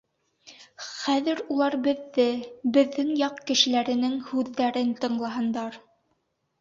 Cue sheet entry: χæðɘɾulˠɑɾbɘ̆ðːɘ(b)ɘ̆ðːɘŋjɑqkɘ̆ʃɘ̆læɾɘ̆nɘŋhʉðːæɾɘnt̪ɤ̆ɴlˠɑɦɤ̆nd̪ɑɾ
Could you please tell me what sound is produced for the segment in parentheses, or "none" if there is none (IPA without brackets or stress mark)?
b